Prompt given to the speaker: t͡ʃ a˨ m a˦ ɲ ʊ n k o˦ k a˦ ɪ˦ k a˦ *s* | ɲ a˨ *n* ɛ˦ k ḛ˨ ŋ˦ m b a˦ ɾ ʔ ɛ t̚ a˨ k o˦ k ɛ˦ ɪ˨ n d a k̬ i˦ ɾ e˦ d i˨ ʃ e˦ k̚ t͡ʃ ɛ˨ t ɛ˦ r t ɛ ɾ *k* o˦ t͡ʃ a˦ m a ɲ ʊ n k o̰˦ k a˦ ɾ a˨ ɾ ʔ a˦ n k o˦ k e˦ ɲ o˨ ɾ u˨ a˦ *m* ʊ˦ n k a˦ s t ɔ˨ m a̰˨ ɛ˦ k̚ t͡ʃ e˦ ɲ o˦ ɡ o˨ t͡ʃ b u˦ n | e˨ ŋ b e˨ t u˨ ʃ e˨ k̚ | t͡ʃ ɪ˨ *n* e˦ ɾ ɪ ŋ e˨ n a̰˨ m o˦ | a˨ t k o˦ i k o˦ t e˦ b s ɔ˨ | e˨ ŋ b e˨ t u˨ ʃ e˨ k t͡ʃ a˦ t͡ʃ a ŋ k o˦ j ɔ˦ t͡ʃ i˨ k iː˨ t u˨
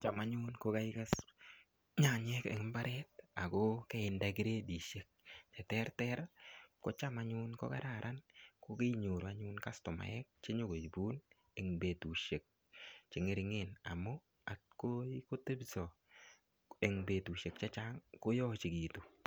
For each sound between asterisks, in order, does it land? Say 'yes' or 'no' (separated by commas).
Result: yes, no, yes, no, no